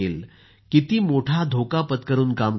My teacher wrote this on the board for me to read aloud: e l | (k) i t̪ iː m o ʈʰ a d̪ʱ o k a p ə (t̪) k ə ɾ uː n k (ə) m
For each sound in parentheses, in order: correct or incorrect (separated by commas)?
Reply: correct, correct, incorrect